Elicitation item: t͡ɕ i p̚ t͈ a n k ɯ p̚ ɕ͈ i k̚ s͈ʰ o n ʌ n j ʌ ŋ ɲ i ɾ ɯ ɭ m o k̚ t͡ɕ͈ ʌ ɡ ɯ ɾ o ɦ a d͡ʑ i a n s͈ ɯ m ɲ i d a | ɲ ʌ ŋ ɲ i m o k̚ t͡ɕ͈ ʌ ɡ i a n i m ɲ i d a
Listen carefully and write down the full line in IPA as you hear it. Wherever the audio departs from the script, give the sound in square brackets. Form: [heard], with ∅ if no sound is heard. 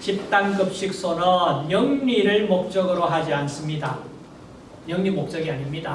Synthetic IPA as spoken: t͡ɕ i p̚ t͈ a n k ɯ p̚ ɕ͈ i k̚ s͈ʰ o n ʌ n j ʌ ŋ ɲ i ɾ ɯ ɭ m o k̚ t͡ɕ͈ ʌ ɡ ɯ ɾ o ɦ a d͡ʑ i a n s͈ ɯ m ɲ i d a | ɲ ʌ ŋ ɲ i m o k̚ t͡ɕ͈ ʌ ɡ i a [ɲ] i m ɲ i d a